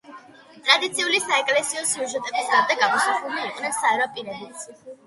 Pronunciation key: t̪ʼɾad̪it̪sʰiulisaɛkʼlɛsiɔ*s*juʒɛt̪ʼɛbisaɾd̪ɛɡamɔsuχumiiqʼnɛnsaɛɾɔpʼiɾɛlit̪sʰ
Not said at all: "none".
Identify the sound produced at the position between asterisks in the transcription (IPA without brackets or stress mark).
s